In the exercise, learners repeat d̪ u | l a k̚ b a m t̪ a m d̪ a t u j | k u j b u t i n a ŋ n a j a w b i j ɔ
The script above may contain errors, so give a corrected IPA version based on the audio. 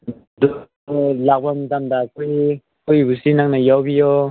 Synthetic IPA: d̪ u | l a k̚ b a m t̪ a m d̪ a k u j | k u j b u s i n a ŋ n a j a w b i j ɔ